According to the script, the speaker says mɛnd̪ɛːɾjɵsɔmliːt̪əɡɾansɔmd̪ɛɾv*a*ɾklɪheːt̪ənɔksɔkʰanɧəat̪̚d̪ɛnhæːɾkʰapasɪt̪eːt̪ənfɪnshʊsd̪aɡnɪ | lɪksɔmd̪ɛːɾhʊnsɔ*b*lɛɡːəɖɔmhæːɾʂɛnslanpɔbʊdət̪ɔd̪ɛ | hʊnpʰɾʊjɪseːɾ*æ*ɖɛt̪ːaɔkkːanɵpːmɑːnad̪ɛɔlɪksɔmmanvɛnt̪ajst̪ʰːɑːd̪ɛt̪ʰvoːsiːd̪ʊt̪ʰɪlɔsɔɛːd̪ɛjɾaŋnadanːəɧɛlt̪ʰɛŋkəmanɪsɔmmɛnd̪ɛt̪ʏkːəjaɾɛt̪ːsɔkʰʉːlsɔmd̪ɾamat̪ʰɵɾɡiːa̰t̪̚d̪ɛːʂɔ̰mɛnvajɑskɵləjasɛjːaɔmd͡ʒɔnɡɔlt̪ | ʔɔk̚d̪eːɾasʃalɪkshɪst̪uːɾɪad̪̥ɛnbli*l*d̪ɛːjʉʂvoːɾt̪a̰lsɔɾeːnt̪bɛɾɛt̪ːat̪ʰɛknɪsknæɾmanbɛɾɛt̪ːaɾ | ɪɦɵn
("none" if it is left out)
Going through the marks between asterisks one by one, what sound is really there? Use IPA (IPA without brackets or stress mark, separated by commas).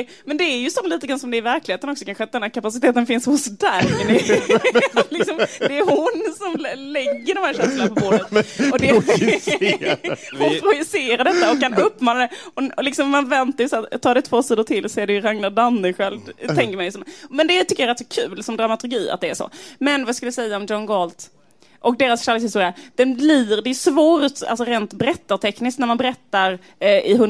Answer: æ, m, a, ɾ